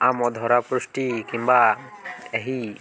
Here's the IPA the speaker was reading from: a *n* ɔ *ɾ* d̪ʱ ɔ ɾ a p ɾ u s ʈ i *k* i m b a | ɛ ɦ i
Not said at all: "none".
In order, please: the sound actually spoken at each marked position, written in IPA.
m, none, k

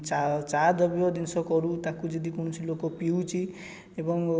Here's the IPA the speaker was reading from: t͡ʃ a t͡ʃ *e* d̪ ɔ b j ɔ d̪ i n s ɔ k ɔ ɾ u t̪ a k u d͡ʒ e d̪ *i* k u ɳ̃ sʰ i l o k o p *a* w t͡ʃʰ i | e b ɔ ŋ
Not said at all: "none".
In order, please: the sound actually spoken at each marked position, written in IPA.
a, i, i

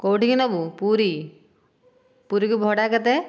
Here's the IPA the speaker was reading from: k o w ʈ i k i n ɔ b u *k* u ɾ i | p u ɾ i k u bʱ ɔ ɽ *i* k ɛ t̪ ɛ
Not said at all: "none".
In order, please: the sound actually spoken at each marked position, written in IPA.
p, a

